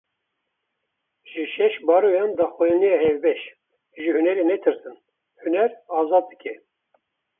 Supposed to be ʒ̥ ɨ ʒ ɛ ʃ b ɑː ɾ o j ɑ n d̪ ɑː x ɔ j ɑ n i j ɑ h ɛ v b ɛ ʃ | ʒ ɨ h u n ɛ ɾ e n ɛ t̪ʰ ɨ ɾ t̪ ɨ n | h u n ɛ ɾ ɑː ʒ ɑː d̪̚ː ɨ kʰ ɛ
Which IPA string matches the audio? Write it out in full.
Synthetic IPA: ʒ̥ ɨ ʃ ɛ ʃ b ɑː ɾ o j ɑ n d̪ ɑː x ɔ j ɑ n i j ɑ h ɛ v b ɛ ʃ | ʒ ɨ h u n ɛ ɾ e n ɛ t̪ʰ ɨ ɾ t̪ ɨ n | h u n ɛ ɾ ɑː z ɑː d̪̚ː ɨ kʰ ɛ